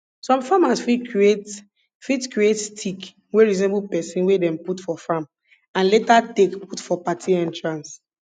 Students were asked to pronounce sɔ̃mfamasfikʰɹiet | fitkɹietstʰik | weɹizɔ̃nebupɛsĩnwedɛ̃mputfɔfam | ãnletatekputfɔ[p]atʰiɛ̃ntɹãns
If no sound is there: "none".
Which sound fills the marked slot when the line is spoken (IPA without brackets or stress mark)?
p